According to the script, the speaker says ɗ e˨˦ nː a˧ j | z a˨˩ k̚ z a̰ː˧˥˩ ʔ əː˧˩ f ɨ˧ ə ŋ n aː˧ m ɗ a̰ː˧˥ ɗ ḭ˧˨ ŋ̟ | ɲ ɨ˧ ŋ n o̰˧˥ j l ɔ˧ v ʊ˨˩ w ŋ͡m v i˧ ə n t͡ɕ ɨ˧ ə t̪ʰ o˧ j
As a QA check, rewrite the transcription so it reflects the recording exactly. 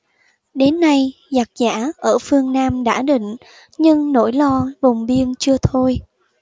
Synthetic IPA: ɗ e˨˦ nː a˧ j | z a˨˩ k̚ z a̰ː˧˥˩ ʔ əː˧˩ f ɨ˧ ə ŋ n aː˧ m ɗ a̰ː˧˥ ɗ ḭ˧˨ ŋ̟ | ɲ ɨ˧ ŋ n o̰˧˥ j l ɔ˧ v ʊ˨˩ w ŋ͡m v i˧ ə n t͡ɕ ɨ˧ ə t̪ʰ o˧ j